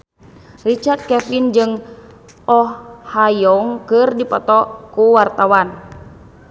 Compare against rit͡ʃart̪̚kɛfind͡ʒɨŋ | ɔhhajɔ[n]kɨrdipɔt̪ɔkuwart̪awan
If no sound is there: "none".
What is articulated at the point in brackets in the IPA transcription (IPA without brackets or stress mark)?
ŋ